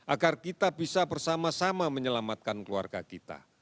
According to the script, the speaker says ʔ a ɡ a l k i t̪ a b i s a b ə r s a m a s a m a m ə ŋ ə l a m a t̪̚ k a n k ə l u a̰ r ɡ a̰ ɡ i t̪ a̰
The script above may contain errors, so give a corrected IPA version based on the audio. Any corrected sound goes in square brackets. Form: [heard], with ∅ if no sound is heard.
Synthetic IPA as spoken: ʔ a ɡ a [r] k i t̪ a b i s a b ə r s a m a s a m a m ə [ɲ] ə l a m a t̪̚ k a n k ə l u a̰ r ɡ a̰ [k] i t̪ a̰